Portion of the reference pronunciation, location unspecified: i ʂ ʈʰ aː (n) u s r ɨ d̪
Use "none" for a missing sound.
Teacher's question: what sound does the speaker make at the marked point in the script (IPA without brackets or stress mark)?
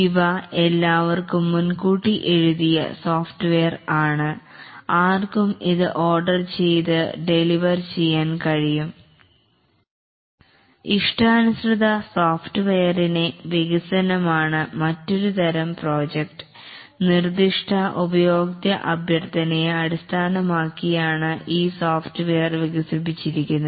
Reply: n